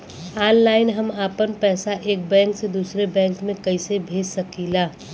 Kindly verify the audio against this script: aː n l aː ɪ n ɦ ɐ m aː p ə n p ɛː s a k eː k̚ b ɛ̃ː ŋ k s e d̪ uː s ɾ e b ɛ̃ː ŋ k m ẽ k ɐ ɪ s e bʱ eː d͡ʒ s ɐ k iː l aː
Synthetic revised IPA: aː n l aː ɪ n ɦ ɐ m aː p ə n p ɛː s a ʔ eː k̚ b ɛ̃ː ŋ k s e d̪ uː s ɾ e b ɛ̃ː ŋ k m ẽ k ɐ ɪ s e bʱ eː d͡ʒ s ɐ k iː l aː